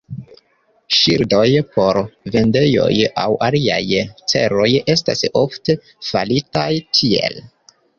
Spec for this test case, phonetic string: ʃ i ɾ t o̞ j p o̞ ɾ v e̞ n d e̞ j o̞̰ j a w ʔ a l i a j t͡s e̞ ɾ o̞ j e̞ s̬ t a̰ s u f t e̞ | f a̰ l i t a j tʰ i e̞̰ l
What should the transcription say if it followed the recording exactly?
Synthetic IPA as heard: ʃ i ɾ d o̞ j p o̞ ɾ v e̞ n d e̞ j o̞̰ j a w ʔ a l i a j t͡s e̞ ɾ o̞ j e̞ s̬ t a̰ s o f t e̞ | f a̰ l i t a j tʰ i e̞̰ l